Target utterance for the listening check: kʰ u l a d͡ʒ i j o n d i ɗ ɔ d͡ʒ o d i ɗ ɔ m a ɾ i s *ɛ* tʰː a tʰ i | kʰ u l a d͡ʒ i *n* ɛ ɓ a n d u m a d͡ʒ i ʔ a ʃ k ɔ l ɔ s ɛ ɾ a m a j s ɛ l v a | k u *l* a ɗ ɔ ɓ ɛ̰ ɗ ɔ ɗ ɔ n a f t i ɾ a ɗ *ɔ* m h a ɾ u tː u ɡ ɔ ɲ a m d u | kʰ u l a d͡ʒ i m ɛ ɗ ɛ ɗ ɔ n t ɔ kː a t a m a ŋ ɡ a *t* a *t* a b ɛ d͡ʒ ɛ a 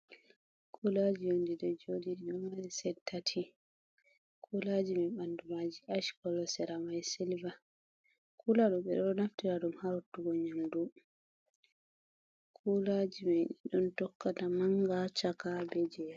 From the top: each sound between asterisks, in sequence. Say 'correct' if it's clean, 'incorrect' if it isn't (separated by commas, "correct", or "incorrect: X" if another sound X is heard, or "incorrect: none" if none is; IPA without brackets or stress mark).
correct, incorrect: m, correct, incorrect: u, incorrect: t͡ʃ, incorrect: k